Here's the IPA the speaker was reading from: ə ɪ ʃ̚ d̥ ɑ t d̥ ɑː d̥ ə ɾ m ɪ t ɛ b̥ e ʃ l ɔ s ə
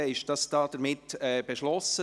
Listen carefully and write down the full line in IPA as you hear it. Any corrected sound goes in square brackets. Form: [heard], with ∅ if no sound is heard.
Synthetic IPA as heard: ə ɪ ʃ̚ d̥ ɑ [s] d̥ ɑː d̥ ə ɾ m ɪ t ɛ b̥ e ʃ l ɔ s ə